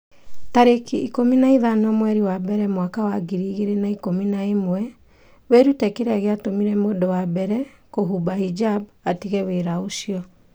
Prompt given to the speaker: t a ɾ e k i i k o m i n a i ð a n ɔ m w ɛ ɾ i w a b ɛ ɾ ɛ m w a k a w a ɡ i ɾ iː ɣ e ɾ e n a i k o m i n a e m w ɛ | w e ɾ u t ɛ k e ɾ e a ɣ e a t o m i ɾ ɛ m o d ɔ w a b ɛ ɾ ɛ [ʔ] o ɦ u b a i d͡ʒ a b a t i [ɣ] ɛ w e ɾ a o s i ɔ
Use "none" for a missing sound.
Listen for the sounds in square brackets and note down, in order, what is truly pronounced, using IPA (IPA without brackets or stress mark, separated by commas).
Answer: k, ɣ